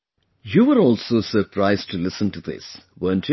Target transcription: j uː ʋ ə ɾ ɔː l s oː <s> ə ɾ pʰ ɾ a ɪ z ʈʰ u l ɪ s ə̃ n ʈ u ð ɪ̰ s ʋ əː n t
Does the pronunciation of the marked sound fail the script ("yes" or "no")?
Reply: no